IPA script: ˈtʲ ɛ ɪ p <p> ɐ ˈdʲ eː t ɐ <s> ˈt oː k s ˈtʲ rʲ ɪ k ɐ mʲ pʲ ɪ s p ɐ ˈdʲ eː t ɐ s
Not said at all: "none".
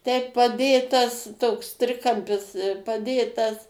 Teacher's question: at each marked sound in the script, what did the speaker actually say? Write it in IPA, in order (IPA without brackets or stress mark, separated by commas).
p, s